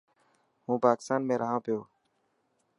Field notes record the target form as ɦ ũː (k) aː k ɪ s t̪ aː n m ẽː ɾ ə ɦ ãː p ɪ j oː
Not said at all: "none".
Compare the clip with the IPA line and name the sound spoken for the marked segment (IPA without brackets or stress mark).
p